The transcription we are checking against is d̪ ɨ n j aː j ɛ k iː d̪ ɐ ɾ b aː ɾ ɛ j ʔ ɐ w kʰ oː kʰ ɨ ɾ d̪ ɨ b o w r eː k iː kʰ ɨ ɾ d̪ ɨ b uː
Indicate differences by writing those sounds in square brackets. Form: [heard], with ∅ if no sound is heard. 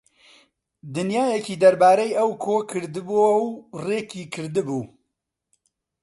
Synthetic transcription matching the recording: d̪ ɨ n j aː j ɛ k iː d̪ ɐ ɾ b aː ɾ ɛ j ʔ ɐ w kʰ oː kʰ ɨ ɾ d̪ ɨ b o w r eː k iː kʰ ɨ ɾ d̪ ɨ b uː

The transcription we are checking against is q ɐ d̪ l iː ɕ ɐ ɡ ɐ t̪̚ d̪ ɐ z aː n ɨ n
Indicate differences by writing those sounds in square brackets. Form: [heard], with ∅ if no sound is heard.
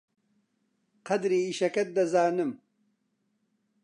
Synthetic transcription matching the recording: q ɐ d̪ [ɾ] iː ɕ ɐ [k] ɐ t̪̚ d̪ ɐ z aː n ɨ [m]

